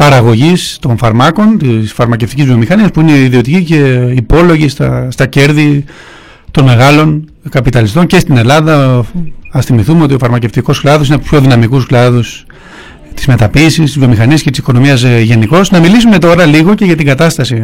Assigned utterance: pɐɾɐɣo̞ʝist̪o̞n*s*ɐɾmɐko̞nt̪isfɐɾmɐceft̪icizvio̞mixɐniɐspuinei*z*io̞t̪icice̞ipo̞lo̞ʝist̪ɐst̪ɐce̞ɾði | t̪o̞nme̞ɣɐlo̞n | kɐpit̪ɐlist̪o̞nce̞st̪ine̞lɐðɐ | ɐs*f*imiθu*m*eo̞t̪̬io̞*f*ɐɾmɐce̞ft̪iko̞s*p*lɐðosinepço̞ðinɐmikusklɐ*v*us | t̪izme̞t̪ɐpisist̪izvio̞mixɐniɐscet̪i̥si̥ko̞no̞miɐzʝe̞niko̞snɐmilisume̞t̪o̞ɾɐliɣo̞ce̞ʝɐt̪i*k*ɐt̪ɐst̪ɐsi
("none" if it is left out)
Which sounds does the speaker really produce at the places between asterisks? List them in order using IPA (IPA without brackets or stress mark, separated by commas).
f, ð, θ, m, f, k, ð, ɡ